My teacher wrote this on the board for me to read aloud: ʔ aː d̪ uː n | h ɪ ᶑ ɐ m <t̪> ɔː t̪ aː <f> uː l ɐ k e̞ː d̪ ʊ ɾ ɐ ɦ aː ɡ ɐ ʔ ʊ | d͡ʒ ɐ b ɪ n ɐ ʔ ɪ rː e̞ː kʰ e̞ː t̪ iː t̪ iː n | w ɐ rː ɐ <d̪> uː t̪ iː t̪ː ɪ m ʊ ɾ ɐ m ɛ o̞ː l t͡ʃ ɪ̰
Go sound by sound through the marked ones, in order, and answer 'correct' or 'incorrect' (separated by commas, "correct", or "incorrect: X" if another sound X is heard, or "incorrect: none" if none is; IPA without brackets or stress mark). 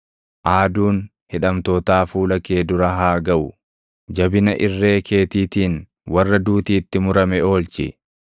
correct, correct, correct